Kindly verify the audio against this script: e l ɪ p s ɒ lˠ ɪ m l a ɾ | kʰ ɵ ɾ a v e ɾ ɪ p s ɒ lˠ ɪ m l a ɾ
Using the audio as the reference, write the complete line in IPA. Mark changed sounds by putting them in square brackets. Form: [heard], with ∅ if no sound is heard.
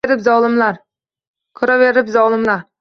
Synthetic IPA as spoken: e [ɾ] ɪ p [z] ɒ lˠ ɪ m l a ɾ | kʰ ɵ ɾ a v e ɾ ɪ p [z] ɒ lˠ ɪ m l a ɾ